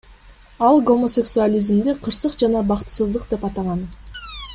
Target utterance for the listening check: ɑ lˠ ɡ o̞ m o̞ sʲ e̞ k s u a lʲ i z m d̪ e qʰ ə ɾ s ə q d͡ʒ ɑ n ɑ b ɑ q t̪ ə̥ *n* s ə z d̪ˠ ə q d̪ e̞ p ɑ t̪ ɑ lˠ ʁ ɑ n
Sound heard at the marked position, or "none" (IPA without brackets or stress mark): none